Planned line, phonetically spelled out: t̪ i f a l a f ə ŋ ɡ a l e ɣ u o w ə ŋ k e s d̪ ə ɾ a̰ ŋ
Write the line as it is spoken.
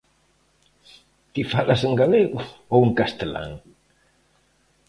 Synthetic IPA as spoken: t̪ i f a l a s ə ŋ ɡ a l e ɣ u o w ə ŋ k a s t̪ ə l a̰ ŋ